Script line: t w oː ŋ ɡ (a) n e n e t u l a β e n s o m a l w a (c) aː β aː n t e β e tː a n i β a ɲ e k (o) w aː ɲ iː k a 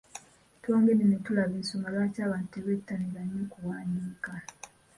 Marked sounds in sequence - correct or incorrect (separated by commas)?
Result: incorrect, correct, incorrect